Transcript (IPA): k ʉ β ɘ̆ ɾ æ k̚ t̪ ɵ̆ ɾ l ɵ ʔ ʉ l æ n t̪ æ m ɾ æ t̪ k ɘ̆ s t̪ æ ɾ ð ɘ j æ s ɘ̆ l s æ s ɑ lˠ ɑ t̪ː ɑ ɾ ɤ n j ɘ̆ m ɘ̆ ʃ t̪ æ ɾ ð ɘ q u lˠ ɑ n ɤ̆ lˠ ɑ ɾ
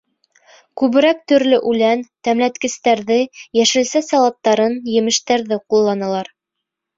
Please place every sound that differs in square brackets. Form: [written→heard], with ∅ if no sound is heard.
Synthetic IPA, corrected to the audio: k ʉ β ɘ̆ ɾ æ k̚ t̪ ɵ̆ ɾ l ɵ ʔ ʉ l æ n t̪ æ m [ɾ→l] æ t̪ k ɘ̆ s t̪ æ ɾ ð ɘ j æ [s→ʃ] ɘ̆ l s æ s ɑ lˠ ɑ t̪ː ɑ ɾ ɤ n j ɘ̆ m ɘ̆ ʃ t̪ æ ɾ ð ɘ q u [lˠ→lˠː] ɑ n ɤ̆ lˠ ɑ ɾ